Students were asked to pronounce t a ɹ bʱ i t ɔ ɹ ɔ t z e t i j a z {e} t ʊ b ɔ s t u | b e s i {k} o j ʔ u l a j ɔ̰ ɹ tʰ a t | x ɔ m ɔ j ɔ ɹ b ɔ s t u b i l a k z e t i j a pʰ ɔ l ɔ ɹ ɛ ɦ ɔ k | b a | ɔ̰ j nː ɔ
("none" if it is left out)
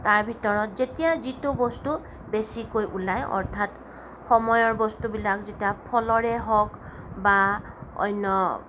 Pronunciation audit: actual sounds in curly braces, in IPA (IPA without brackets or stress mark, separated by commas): i, k